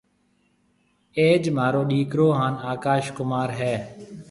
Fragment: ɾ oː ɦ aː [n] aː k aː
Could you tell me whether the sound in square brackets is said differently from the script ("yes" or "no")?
no